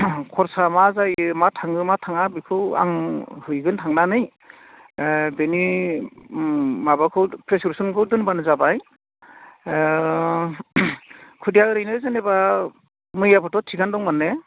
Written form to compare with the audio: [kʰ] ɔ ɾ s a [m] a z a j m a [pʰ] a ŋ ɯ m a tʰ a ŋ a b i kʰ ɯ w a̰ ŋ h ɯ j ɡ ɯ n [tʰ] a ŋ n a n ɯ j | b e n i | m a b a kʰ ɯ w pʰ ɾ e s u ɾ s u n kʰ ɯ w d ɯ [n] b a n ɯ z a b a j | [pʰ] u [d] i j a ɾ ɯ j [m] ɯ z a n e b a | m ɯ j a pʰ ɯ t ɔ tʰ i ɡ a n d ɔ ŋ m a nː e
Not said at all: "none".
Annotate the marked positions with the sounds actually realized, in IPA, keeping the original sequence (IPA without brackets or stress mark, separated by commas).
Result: kʰ, m, tʰ, tʰ, n, kʰ, d, n